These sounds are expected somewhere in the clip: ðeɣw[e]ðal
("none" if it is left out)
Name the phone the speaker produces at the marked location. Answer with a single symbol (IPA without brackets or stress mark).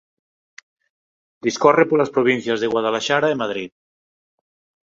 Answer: a